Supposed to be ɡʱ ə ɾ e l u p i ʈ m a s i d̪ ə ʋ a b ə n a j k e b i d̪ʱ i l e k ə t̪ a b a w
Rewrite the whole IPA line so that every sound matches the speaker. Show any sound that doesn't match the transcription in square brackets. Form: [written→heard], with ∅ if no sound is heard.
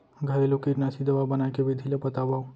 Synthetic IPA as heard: ɡʱ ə ɾ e l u [p→k] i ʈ [m→n] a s i d̪ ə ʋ a b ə n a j k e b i d̪ʱ i l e [k→p] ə t̪ a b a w